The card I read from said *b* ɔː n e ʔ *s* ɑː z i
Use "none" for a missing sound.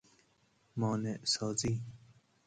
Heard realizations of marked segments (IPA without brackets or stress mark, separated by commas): m, s